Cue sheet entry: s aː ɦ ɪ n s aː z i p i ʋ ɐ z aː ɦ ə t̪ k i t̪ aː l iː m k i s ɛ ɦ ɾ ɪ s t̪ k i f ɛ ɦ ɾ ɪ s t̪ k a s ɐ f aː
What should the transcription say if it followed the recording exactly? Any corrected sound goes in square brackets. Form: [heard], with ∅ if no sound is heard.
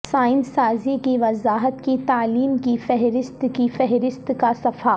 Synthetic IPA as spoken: s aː [∅] ɪ n s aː z i [k] i ʋ ɐ z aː ɦ ə t̪ k i t̪ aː l iː m k i [f] ɛ ɦ ɾ ɪ s t̪ k i f ɛ ɦ ɾ ɪ s t̪ k a s ɐ f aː